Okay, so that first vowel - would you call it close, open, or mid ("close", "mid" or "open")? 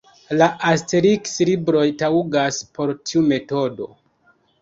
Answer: open